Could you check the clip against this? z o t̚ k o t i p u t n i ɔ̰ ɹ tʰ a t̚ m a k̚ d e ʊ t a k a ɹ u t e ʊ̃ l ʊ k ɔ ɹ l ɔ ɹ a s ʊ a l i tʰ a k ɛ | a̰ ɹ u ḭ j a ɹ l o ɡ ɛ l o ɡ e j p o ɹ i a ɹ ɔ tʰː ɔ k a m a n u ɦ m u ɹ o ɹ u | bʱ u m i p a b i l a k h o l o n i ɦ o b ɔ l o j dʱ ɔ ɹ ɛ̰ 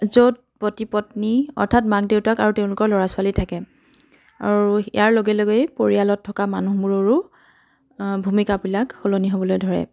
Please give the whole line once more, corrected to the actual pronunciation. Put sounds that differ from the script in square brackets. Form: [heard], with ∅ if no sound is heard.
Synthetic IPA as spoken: z o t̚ [p] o t i p [ɔ] t n i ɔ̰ ɹ tʰ a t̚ m a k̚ d e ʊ t a k a ɹ u t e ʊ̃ l ʊ k ɔ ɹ l ɔ ɹ a s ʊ a l i tʰ a k ɛ | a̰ ɹ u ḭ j a ɹ l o ɡ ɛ l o ɡ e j p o ɹ i a [l] ɔ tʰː ɔ k a m a n u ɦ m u ɹ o ɹ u | bʱ u m i [k] a b i l a k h o l o n i ɦ o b ɔ l o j dʱ ɔ ɹ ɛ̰